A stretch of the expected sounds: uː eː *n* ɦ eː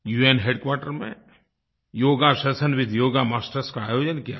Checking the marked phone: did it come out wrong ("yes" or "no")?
no